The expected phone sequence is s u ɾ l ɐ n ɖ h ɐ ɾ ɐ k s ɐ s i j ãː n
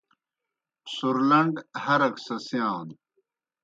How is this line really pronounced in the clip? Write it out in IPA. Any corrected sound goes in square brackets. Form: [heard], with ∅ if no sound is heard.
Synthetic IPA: s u ɾ l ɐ [ɳ] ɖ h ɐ ɾ ɐ k s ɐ s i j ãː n